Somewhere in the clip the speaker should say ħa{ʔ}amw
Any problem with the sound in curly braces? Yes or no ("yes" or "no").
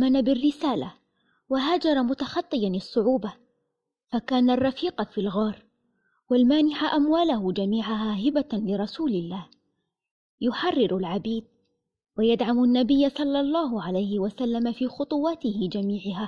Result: no